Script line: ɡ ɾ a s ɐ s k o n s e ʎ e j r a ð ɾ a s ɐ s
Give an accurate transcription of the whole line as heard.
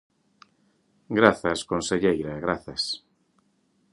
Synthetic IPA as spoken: ɡ ɾ a θ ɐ s k o n s e ʎ e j ɾ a ɣ ɾ a θ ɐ s